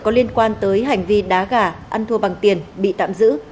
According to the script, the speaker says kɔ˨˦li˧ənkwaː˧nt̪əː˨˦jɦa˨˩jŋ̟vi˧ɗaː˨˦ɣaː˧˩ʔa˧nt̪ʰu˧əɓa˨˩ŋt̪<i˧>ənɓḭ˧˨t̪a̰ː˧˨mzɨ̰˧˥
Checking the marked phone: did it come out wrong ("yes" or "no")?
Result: yes